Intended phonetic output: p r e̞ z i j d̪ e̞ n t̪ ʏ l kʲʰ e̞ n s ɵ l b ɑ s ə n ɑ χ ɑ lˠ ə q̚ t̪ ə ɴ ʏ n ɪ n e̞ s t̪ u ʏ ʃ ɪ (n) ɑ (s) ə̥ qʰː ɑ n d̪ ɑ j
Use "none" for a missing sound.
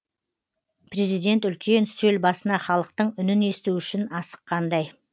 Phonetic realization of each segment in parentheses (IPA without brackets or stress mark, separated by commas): n, s